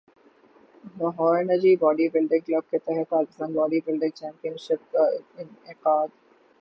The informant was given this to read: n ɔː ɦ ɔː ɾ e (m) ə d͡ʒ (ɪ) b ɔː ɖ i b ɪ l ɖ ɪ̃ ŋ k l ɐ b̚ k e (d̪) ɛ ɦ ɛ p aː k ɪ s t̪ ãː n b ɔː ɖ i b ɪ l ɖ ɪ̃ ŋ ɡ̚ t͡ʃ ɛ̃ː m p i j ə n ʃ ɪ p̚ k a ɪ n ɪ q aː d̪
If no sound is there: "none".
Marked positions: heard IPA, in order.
n, i, t̪

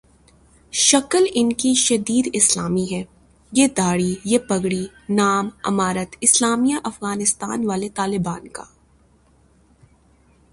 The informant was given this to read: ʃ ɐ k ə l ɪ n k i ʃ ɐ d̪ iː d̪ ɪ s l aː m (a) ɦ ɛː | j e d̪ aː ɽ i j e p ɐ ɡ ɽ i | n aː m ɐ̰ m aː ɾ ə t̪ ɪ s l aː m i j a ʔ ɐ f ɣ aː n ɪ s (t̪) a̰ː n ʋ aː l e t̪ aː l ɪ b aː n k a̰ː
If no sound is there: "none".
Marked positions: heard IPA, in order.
i, t̪

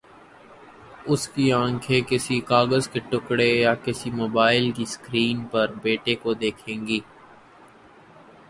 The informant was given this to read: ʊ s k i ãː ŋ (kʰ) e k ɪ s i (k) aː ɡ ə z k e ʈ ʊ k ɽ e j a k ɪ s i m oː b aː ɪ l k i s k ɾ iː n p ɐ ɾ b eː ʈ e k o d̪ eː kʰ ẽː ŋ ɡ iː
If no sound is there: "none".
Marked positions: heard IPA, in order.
kʰ, k

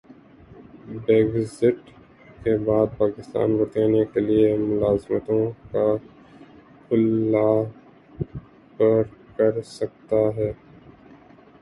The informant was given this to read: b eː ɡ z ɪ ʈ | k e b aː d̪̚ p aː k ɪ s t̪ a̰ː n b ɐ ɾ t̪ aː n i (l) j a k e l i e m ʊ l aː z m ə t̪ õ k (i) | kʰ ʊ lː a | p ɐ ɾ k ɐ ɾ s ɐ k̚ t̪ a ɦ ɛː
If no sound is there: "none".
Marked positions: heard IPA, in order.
none, a

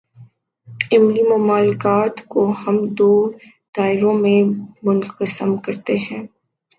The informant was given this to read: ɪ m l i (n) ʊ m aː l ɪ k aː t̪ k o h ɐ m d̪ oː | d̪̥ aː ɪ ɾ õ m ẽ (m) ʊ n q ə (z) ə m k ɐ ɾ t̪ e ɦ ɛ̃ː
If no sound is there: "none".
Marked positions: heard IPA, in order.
m, m, s

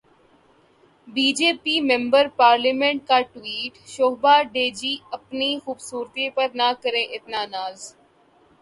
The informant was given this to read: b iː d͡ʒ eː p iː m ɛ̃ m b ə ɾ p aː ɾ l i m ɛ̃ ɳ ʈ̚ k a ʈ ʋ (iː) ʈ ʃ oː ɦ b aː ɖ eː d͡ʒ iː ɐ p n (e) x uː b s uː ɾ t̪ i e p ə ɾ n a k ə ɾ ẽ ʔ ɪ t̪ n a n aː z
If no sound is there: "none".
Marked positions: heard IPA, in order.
iː, i

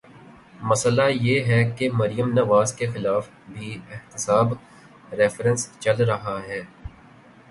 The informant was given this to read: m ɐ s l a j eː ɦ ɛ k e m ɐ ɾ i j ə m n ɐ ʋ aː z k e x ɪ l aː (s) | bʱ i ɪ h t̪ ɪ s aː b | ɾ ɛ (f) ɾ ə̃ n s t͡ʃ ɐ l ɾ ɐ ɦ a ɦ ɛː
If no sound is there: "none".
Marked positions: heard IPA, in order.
f, f

